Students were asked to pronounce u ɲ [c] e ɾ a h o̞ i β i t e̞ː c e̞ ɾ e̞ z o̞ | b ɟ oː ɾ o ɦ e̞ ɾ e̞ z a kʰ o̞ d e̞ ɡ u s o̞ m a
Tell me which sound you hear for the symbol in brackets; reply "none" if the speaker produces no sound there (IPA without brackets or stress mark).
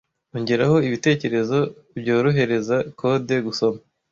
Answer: ɟ